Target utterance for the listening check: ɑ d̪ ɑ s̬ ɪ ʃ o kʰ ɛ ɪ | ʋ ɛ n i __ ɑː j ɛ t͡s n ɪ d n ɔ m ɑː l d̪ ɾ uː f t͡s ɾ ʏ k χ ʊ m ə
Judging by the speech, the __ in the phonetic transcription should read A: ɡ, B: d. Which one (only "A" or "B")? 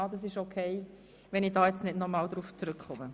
B